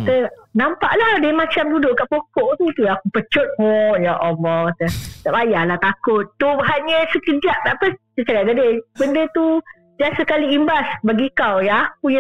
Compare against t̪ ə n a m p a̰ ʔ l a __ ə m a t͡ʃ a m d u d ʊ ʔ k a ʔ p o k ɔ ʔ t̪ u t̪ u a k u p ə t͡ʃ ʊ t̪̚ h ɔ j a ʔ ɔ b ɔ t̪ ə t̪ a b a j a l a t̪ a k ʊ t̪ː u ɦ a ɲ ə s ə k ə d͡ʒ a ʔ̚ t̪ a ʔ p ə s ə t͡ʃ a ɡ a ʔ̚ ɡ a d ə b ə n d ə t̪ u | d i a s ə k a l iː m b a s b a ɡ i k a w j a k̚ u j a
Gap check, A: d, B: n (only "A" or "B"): A